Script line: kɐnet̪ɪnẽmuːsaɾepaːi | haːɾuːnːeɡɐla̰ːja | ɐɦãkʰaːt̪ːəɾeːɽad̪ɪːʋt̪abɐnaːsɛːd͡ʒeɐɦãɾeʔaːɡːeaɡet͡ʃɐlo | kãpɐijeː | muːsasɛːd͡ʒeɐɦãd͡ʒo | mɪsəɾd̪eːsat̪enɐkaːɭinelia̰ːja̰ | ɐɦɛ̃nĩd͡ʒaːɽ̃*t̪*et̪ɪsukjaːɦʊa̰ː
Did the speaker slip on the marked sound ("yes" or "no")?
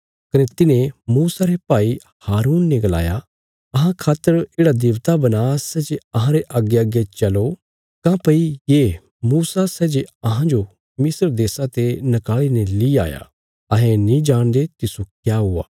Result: yes